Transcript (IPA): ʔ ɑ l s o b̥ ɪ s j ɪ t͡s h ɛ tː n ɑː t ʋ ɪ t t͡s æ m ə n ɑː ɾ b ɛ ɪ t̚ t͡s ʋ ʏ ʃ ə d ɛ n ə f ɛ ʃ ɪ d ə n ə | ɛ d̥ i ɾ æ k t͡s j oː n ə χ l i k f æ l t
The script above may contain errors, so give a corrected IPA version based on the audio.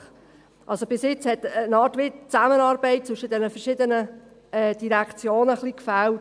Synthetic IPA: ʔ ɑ l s o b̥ ɪ s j ɪ t͡s h ɛ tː n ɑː t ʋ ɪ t t͡s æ m ə n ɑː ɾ b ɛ ɪ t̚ t͡s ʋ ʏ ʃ ə d ɛ n ə f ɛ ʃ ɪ d ə n ə | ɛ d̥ i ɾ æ k t͡s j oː n ə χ l i k f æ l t